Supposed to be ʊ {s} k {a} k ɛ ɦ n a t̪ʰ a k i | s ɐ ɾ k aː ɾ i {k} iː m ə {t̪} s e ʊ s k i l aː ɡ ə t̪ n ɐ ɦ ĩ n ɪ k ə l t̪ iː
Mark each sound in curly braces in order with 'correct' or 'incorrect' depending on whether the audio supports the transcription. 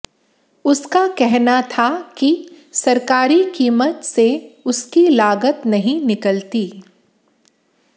correct, correct, correct, correct

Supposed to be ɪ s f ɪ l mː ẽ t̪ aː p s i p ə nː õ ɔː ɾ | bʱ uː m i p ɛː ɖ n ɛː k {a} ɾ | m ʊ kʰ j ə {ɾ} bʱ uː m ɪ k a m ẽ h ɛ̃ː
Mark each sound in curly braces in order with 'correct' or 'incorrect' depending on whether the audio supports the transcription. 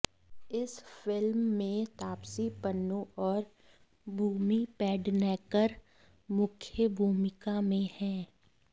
incorrect: ə, incorrect: none

